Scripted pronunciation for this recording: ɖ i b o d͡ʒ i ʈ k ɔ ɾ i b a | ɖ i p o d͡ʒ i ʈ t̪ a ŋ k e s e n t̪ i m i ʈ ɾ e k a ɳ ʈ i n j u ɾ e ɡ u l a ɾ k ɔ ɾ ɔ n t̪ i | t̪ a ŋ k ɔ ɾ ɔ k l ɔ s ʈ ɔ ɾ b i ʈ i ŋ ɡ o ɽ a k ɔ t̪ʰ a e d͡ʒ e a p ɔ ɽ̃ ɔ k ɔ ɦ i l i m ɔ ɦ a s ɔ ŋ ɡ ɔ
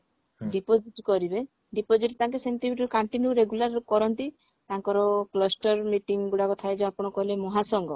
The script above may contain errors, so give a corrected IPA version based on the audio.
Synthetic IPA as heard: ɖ i p o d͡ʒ i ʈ k ɔ ɾ i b e | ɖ i p o d͡ʒ i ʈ t̪ a ŋ k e s e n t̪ i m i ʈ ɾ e k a ɳ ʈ i n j u ɾ e ɡ u l a ɾ k ɔ ɾ ɔ n t̪ i | t̪ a ŋ k ɔ ɾ ɔ k l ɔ s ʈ ɔ ɾ m i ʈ i ŋ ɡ u ɽ a k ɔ t̪ʰ a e d͡ʒ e a p ɔ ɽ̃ ɔ k ɔ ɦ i l e m ɔ ɦ a s ɔ ŋ ɡ ɔ